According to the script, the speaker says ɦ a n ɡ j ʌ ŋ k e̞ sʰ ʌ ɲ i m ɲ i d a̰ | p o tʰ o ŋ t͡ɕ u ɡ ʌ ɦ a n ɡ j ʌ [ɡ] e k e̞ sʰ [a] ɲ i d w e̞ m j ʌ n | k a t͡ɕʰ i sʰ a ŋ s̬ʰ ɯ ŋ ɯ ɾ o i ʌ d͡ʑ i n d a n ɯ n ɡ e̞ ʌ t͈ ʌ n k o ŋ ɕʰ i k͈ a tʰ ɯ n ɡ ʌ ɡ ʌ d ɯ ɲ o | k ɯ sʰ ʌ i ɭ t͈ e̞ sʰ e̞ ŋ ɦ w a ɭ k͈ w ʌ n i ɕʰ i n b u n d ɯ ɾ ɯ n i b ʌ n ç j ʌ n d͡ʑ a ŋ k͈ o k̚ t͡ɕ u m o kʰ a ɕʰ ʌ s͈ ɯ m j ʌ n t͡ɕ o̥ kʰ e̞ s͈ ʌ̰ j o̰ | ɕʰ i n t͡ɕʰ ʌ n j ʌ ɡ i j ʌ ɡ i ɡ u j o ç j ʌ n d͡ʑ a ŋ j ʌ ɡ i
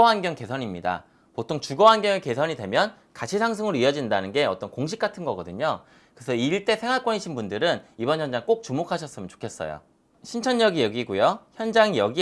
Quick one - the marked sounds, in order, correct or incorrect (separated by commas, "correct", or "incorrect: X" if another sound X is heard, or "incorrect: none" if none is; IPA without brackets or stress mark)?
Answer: incorrect: ŋ, incorrect: ʌ